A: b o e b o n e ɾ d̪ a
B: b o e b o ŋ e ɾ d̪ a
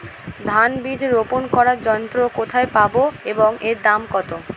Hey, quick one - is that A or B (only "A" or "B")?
B